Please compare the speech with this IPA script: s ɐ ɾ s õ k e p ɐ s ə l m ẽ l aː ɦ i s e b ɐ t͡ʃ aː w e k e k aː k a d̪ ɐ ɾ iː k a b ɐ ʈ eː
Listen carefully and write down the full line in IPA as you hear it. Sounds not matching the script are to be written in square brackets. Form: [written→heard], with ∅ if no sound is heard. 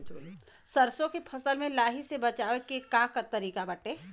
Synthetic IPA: s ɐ ɾ s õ k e [p→pʰ] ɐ s ə l m ẽ l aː ɦ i s e b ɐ t͡ʃ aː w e k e k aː k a [d̪→t̪] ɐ ɾ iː k a b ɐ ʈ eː